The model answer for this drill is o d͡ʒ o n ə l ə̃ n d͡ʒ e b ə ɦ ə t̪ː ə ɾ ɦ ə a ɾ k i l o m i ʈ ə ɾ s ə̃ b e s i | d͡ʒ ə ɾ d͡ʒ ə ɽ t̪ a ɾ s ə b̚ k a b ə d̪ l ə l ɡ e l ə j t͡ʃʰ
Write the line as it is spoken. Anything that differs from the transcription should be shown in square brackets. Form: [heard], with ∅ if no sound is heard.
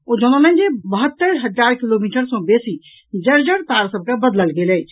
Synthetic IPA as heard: o d͡ʒ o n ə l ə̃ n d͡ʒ e b ə ɦ ə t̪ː ə ɾ ɦ ə a ɾ k i l o m i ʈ ə ɾ s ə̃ b e s i | d͡ʒ ə ɾ d͡ʒ ə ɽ t̪ a ɾ s ə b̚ k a b ə d̪ l ə l ɡ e l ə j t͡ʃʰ